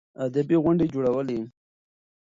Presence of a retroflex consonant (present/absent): present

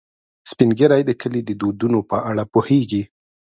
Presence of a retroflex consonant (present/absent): present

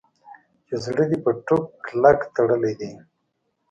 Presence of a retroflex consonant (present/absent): present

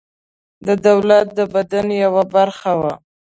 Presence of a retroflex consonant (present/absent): absent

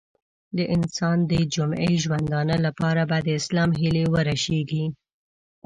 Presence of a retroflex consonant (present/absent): absent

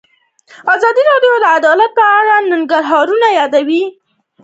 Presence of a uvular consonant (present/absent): absent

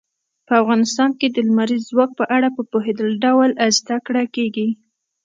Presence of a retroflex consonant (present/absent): present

